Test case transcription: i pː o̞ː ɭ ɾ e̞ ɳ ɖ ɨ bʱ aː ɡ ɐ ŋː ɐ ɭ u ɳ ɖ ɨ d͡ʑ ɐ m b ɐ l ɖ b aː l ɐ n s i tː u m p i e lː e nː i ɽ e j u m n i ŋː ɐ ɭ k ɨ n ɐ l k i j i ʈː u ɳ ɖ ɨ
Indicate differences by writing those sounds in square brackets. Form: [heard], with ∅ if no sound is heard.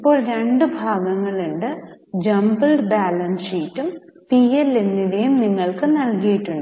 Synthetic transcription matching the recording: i pː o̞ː ɭ ɾ e̞ ɳ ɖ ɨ bʱ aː ɡ ɐ ŋː ɐ ɭ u ɳ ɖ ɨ d͡ʑ ɐ m b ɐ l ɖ b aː l ɐ n s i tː u m p i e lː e nː i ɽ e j u m n i ŋː ɐ ɭ k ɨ n ɐ l k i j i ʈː u ɳ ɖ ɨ